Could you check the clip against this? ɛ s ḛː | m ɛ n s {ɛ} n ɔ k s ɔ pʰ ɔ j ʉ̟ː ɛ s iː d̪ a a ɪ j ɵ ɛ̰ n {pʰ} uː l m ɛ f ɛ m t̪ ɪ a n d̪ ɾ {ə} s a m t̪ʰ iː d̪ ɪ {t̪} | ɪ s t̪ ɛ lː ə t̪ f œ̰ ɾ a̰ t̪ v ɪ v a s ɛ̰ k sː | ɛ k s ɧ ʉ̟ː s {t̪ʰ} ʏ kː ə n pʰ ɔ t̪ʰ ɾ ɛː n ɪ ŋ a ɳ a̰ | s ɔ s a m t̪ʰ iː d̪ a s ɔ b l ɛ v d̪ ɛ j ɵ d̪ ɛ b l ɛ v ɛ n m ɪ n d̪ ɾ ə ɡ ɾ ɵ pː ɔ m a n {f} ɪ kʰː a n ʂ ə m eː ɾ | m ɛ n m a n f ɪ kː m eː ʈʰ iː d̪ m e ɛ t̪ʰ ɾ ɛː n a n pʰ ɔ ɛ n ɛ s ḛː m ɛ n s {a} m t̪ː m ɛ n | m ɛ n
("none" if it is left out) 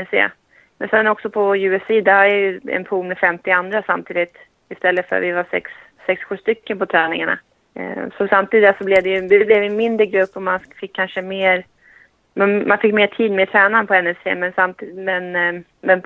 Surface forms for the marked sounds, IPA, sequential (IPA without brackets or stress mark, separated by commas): ɛ, pʰ, a, t̪, t̪, f, a